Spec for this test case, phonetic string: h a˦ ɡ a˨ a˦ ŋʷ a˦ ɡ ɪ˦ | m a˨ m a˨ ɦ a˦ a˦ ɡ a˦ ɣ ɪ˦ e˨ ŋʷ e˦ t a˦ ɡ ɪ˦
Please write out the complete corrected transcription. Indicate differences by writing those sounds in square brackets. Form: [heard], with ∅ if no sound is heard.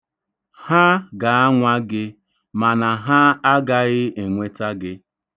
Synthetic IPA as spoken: h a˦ ɡ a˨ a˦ ŋʷ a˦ ɡ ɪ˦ | m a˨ [n] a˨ ɦ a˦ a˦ ɡ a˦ ɣ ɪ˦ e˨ ŋʷ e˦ t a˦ ɡ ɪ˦